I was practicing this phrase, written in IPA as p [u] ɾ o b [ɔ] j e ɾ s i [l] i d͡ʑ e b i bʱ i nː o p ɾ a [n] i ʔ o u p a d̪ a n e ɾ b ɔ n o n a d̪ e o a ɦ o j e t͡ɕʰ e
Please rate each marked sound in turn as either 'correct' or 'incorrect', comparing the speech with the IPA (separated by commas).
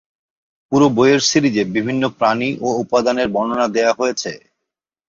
correct, incorrect, incorrect, correct